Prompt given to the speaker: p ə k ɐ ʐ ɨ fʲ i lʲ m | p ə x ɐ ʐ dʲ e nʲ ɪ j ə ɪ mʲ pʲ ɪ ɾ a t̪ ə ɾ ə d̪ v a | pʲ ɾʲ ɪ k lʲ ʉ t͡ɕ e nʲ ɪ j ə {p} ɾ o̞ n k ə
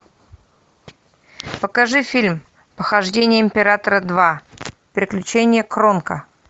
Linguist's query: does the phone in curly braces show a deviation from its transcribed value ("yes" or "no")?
yes